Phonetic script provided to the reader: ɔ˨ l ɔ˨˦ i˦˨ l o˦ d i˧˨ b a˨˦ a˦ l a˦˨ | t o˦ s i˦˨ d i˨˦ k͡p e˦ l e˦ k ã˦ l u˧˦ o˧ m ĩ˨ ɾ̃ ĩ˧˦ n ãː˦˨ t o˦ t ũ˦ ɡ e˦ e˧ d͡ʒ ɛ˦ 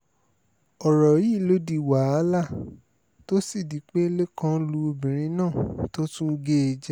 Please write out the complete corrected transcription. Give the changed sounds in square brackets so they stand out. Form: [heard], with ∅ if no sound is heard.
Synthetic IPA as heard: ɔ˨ [ɾ] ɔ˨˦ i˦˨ l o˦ d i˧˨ [w] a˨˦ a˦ l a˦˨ | t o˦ s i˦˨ d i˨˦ k͡p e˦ l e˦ k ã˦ l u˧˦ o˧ [b] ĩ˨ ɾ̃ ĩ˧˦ n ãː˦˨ t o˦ t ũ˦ ɡ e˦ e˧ d͡ʒ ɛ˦